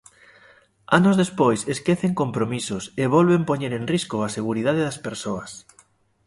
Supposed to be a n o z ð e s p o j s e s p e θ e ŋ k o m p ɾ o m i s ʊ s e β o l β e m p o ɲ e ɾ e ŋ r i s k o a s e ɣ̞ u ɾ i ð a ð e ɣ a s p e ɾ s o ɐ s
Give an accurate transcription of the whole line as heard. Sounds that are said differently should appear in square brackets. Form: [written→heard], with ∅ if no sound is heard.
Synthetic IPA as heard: a n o z ð e s p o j s e s [p→k] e θ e ŋ k o m p ɾ o m i s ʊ s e β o l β e m p o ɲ e ɾ e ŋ r i s k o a s e ɣ̞ u ɾ i ð a ð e [ɣ→ð] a s p e ɾ s o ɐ s